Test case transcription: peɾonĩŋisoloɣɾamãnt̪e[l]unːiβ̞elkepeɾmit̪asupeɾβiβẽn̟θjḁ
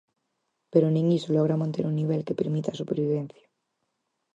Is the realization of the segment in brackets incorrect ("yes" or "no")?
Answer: yes